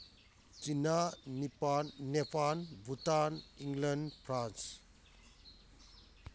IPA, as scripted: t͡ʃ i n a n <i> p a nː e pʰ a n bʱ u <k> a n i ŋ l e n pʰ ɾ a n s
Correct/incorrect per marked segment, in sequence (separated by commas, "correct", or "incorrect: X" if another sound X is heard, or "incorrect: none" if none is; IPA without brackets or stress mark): correct, incorrect: t